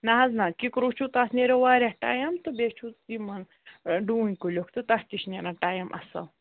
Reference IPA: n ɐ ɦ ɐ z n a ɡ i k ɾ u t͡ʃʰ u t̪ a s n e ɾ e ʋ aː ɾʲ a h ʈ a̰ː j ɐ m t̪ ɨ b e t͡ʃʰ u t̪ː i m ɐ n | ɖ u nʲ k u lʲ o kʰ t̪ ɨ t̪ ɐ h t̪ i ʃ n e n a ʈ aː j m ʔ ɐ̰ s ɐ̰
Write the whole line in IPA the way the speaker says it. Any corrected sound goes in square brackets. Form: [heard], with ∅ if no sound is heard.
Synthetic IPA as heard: n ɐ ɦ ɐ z n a [k] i k ɾ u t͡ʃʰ u t̪ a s n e ɾ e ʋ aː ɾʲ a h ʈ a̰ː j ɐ m t̪ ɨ b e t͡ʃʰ u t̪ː i m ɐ n | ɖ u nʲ k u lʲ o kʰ t̪ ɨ t̪ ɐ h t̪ i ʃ n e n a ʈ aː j m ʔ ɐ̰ s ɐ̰